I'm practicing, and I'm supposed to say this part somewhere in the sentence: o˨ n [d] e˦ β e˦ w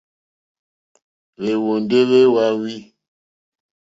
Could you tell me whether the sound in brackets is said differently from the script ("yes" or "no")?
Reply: no